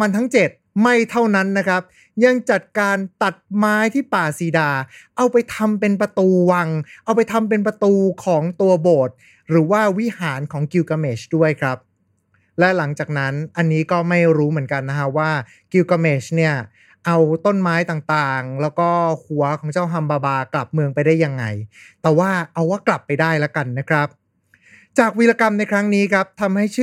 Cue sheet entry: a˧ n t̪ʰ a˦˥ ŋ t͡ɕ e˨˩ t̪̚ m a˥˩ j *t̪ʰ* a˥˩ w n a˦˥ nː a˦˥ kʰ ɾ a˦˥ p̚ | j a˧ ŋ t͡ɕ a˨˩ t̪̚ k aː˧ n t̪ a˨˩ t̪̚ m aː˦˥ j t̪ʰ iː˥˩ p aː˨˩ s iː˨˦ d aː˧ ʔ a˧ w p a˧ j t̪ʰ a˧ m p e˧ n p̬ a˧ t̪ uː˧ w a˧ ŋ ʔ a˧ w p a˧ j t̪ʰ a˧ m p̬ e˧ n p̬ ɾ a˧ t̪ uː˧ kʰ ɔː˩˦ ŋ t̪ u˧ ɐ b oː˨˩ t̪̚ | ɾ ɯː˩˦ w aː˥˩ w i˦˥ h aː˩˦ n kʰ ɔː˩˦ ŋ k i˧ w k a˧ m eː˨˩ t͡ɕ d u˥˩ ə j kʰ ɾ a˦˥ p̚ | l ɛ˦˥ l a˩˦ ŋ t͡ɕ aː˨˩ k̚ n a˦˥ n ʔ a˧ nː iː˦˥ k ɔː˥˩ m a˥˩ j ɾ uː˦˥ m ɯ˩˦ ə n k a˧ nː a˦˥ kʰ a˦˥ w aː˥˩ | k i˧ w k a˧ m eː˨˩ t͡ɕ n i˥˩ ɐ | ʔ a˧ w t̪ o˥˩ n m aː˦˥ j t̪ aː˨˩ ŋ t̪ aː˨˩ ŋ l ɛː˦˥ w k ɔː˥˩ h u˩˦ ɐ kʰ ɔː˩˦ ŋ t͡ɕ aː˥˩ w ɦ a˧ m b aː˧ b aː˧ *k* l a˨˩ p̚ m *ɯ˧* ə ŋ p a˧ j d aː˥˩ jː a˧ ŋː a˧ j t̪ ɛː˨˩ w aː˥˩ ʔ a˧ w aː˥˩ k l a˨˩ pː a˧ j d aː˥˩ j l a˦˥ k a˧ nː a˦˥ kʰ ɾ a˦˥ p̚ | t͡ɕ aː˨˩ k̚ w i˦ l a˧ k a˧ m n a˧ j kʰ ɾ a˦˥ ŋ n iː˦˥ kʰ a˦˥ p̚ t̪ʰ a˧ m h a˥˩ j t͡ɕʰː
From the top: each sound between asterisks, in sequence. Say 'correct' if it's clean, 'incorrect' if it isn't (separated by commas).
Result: correct, correct, correct